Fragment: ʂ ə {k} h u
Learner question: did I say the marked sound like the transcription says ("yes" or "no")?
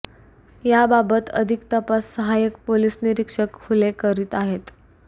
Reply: yes